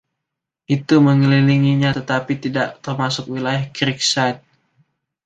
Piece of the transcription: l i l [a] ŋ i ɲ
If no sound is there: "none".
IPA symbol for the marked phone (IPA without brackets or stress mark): i